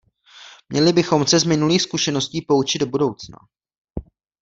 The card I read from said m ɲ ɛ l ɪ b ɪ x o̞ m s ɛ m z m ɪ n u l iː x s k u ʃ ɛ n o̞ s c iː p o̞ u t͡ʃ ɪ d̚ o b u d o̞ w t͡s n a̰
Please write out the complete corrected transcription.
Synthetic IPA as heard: m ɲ ɛ l ɪ b ɪ x o̞ m s ɛ z m ɪ n u l iː x s k u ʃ ɛ n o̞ s c iː p o̞ u t͡ʃ ɪ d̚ o b u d o̞ w t͡s n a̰